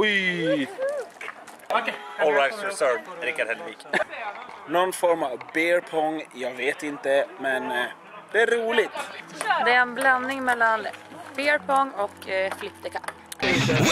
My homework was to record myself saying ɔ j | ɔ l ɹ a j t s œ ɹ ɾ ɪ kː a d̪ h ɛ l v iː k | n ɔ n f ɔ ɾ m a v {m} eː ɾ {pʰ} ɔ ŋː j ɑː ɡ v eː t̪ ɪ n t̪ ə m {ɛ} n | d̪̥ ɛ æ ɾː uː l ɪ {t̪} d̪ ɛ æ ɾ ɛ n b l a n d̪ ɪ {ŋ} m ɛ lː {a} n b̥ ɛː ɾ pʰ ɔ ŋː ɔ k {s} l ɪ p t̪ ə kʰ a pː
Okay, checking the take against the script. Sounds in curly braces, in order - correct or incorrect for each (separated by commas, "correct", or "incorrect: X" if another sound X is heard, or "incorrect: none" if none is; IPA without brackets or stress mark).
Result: incorrect: b, correct, correct, correct, correct, correct, incorrect: f